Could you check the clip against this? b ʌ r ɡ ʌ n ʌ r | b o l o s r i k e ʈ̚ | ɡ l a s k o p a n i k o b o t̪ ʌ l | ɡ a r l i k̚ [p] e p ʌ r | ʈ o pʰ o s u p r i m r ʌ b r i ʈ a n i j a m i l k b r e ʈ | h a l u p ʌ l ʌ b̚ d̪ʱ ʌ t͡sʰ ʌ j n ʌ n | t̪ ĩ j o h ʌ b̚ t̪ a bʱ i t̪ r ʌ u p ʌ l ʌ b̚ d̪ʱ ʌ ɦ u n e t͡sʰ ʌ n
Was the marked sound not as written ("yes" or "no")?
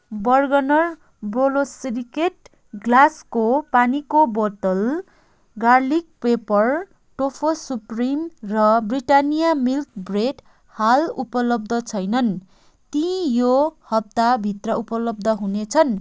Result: no